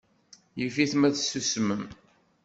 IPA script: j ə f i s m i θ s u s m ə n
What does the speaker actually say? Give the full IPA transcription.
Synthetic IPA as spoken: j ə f i θ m æ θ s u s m ə m